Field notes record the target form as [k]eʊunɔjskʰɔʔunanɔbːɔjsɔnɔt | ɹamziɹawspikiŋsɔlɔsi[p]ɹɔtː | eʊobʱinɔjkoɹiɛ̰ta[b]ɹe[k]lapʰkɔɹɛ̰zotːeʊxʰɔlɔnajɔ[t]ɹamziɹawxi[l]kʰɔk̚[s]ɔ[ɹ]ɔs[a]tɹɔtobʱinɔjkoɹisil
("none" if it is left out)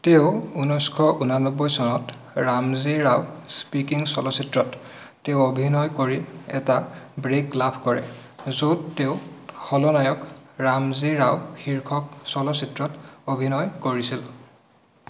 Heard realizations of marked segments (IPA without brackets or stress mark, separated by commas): t, t, b, k, k, ɹ, s, l, i